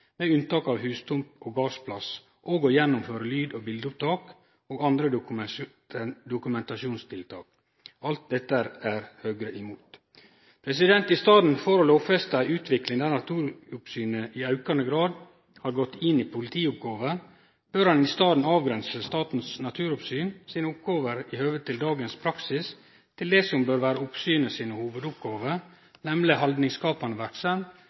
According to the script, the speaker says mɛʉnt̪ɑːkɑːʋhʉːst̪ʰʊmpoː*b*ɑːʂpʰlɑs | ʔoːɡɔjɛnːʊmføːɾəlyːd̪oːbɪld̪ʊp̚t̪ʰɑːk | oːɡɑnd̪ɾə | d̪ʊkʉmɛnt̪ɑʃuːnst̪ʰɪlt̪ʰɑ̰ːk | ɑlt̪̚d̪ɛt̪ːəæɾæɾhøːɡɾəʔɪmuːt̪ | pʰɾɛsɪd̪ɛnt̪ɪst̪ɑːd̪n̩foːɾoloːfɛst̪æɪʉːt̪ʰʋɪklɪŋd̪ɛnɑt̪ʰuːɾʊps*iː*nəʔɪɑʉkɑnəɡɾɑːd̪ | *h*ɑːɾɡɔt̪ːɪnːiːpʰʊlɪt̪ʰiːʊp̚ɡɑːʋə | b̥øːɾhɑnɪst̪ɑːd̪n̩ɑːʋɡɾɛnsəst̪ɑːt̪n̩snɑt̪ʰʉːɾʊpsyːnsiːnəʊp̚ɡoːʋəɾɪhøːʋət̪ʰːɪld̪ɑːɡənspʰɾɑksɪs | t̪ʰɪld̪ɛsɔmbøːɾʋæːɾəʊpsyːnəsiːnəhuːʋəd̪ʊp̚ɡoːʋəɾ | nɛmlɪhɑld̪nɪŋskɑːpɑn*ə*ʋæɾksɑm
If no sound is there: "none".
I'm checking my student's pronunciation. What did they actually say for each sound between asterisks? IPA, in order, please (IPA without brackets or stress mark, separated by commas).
ɡ, yː, h, ə